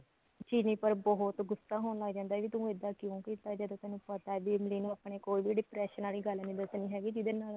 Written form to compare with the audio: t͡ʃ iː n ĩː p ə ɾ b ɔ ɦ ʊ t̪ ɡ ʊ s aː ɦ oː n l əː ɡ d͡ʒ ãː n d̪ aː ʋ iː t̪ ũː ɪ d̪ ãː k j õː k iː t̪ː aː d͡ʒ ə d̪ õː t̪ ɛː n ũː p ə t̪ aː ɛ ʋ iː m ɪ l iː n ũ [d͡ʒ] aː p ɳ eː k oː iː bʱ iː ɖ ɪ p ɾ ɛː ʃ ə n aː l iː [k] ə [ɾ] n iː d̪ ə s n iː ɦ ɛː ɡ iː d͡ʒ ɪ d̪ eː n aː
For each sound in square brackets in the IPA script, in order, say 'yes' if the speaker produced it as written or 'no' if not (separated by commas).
no, no, no